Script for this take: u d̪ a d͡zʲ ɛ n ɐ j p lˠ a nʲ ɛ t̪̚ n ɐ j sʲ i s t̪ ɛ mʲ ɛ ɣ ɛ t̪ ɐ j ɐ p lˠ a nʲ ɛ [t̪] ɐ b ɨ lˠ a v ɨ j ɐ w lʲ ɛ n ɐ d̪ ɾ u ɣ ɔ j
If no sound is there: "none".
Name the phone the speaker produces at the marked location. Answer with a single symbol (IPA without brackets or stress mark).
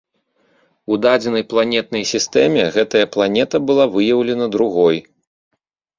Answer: t̪